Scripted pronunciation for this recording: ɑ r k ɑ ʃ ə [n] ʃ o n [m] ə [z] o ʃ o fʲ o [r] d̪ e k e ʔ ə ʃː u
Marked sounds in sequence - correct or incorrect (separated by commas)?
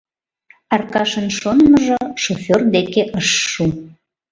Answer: correct, correct, incorrect, correct